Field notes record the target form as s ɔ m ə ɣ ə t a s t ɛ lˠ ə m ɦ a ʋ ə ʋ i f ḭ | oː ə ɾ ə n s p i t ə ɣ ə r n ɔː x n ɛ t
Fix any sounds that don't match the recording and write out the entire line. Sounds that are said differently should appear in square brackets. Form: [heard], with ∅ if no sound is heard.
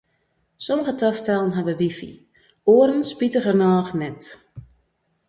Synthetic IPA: s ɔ m ə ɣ ə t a s t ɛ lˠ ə [n] ɦ a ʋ ə ʋ i f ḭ | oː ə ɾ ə n s p i t ə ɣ ə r n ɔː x n ɛ t